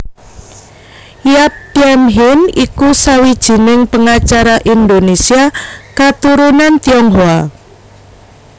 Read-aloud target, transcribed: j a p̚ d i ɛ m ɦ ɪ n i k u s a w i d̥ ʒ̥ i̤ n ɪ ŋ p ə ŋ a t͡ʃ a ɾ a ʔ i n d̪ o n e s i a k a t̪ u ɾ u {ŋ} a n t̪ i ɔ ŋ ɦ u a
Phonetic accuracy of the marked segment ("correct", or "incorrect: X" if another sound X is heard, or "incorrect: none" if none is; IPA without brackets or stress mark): incorrect: n